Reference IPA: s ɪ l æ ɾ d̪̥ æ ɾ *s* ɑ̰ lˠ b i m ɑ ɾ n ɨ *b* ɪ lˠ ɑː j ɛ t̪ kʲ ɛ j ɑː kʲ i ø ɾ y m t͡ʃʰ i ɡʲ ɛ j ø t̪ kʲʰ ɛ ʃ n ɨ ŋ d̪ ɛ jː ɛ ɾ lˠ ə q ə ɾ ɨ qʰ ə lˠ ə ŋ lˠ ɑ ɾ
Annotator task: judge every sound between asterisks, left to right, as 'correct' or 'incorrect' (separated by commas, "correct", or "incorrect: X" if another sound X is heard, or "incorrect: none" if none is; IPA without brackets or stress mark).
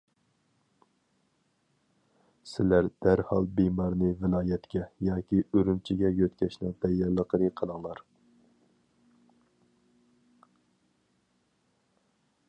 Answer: incorrect: h, incorrect: v